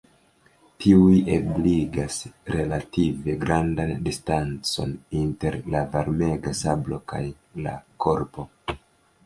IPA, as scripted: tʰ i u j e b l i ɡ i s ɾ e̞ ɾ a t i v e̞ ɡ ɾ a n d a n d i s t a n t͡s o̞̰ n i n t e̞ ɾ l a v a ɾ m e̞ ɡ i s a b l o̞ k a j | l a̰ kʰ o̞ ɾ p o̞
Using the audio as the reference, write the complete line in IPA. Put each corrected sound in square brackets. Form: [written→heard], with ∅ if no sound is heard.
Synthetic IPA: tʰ i u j e b l i ɡ [i→a] s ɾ e̞ [ɾ→l] a t i v e̞ ɡ ɾ a n d a n d i s t a n t͡s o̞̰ n i n t e̞ ɾ l a v a ɾ m e̞ ɡ [i→a] s a b l o̞ k a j | l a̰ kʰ o̞ ɾ p o̞